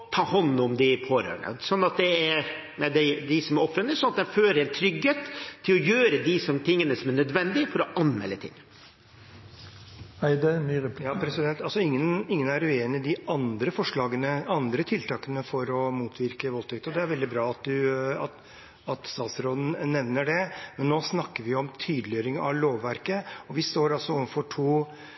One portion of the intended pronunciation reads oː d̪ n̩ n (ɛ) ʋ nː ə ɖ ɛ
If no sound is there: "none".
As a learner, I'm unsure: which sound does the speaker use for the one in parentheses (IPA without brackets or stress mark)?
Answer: ɛ